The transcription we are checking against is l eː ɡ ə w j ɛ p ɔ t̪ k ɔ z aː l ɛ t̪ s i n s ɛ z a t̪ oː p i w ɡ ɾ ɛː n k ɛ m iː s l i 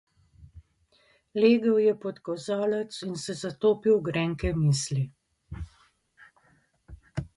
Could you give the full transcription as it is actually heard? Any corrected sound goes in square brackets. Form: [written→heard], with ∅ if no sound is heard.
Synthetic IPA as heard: l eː ɡ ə w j ɛ p ɔ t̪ k ɔ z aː l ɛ t̪ s i n s ɛ z a t̪ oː p i w ɡ ɾ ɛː [n→ŋ] k ɛ m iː s l i